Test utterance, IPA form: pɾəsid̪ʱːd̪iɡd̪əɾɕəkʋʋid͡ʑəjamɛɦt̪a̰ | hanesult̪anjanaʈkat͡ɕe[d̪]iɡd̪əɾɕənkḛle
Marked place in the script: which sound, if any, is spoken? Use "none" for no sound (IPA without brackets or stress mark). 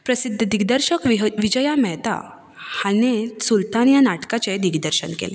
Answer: d̪